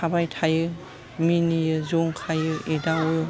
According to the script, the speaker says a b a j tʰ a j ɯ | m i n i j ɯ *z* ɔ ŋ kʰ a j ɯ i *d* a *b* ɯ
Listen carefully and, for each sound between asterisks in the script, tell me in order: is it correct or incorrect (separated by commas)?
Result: correct, correct, incorrect